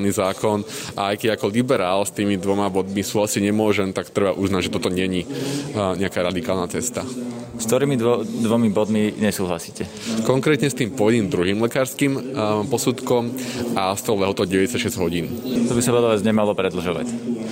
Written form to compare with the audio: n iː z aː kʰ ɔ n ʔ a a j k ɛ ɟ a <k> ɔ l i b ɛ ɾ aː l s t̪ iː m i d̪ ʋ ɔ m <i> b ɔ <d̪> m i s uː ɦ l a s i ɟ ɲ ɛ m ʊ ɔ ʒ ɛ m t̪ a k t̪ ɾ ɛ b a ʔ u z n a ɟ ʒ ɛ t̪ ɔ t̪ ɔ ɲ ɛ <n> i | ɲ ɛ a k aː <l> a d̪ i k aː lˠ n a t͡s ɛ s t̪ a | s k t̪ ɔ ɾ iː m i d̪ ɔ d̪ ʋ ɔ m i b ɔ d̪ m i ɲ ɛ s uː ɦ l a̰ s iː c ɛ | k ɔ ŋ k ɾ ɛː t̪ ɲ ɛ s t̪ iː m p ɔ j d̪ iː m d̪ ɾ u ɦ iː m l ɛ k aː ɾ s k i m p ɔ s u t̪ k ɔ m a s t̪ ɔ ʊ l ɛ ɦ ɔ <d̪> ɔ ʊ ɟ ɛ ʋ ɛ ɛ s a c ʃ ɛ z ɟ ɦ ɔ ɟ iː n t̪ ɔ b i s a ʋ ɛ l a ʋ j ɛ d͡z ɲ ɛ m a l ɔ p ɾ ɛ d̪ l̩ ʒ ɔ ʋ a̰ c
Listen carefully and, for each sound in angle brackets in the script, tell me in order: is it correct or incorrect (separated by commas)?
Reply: correct, incorrect, correct, incorrect, incorrect, incorrect